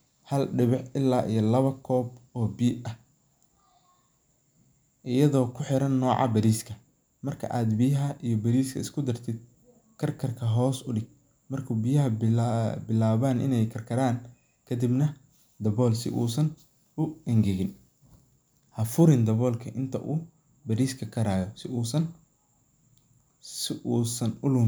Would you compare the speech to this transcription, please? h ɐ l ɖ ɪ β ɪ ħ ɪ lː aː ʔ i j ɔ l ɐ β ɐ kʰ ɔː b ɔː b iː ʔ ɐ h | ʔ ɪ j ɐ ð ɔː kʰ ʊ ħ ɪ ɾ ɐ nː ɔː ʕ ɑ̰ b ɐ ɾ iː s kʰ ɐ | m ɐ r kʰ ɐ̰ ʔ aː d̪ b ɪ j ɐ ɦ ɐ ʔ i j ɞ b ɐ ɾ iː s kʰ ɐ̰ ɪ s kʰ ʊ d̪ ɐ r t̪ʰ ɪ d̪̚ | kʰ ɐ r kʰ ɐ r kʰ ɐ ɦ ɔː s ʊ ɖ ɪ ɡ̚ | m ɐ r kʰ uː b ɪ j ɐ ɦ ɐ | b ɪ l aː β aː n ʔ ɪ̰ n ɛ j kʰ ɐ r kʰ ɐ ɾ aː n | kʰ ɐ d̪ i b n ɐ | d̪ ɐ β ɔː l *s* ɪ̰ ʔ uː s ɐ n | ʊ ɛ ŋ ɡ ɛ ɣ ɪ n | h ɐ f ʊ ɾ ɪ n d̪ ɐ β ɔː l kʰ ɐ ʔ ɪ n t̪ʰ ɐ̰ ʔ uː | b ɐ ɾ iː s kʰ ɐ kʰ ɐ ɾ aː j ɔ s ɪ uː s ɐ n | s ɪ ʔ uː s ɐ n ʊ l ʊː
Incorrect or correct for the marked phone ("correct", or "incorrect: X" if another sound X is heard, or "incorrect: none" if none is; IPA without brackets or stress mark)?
correct